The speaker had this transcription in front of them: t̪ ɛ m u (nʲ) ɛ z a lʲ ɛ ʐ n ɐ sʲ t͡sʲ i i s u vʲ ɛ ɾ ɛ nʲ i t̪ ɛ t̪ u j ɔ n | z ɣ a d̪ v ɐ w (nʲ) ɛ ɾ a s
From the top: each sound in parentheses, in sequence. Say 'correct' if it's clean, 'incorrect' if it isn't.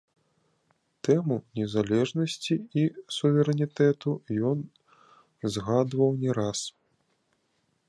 correct, correct

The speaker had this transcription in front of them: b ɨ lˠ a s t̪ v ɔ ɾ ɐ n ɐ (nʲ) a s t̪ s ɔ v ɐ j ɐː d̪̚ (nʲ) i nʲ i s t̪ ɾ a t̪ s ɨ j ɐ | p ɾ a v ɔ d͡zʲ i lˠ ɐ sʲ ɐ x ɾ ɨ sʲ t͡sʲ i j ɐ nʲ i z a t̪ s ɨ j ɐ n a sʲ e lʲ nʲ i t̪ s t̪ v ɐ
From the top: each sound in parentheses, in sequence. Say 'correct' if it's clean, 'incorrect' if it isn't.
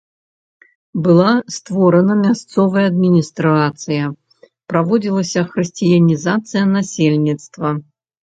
incorrect, incorrect

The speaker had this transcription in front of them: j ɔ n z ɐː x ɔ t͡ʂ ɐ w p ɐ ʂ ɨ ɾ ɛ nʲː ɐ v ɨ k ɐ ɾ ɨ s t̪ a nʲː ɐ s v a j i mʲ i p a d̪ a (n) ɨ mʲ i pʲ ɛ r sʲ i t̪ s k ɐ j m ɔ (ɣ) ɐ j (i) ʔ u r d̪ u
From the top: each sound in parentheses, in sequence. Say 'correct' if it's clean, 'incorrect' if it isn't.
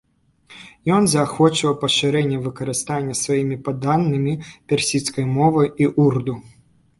incorrect, incorrect, correct

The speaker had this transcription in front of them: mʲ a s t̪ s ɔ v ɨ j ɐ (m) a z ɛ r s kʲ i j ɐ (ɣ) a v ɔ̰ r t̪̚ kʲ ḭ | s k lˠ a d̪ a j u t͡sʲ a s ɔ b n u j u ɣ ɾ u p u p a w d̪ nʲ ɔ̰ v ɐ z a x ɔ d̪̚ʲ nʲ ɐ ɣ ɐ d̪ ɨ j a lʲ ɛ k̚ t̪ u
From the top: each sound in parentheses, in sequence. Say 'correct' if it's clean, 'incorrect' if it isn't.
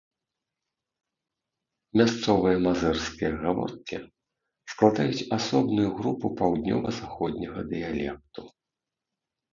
correct, correct

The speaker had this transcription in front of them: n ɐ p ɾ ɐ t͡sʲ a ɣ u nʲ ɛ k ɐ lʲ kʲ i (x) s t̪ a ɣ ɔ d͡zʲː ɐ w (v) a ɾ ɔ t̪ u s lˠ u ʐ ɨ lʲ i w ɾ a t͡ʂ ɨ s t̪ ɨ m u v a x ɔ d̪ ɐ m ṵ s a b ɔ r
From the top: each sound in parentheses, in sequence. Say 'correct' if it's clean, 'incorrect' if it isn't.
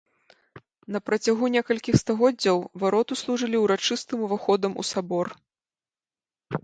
correct, correct

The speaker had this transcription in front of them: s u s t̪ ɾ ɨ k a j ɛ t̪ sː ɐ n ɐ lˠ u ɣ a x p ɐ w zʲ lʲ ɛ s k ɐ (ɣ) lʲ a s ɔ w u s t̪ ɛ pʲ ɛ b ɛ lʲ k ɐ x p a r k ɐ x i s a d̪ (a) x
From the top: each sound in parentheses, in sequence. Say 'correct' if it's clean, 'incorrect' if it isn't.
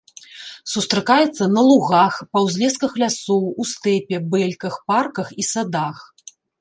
incorrect, correct

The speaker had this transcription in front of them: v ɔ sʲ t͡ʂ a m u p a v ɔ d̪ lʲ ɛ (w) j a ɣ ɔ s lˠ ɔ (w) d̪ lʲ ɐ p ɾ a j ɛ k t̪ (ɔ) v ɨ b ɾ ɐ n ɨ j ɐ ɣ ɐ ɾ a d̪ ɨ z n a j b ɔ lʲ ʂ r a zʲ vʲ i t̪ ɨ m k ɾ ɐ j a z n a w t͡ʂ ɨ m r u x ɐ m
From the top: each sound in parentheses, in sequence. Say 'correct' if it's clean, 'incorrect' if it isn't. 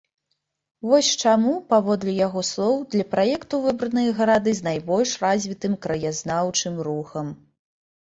incorrect, correct, incorrect

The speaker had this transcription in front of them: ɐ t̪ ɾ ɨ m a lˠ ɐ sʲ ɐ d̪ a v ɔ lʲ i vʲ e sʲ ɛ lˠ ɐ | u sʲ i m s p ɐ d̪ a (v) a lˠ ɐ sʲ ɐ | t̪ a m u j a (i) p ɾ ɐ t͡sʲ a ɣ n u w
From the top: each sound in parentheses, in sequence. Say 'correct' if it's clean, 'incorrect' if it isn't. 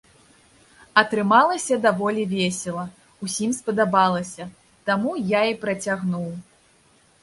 incorrect, correct

